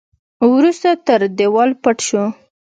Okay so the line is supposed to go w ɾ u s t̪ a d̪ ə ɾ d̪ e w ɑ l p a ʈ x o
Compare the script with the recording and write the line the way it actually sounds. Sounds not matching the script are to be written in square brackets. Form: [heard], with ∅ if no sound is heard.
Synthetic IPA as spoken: w ɾ u s t̪ a [t̪] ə ɾ d̪ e w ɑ l p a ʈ [ʃ] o